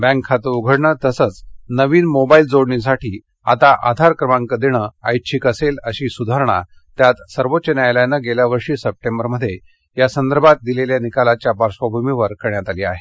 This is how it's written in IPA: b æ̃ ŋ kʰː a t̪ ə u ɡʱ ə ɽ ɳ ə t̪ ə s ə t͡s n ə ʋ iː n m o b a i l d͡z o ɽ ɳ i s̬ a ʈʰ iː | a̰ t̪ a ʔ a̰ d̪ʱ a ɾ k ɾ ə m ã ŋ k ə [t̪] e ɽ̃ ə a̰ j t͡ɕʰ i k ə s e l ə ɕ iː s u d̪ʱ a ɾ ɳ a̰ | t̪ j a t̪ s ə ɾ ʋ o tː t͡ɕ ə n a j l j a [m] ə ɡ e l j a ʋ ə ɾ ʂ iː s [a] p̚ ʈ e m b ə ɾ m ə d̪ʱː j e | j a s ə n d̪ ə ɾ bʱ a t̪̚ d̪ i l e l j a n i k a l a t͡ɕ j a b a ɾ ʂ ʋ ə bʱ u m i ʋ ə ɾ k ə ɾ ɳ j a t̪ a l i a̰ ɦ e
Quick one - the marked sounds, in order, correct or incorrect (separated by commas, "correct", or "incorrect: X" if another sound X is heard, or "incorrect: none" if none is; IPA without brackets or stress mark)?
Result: incorrect: d̪, incorrect: n, incorrect: ə